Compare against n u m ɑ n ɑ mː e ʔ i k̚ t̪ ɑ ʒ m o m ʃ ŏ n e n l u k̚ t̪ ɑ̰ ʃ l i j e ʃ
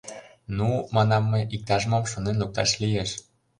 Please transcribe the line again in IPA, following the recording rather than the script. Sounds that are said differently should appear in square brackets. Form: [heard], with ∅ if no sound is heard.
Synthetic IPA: n u m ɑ n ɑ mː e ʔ i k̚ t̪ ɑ ʒ m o m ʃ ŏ n e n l u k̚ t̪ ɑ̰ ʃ l i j e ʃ